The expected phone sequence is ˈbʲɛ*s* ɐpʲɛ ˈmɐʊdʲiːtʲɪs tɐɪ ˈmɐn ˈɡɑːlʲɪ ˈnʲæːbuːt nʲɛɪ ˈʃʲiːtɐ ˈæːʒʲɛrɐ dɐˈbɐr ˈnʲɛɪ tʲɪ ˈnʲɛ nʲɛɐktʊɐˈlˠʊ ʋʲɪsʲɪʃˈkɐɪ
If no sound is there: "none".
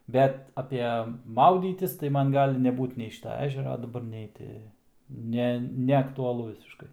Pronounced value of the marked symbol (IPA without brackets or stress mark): t